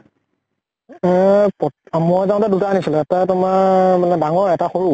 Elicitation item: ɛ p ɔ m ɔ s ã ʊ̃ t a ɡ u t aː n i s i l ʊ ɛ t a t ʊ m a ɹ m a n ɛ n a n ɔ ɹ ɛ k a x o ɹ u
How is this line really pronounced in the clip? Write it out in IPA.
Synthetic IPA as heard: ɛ p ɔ m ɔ z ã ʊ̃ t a d u t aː n i s i l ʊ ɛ t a t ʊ m a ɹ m a n ɛ d a ŋ ɔ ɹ ɛ t a x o ɹ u